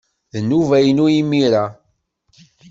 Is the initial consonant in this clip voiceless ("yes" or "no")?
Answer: no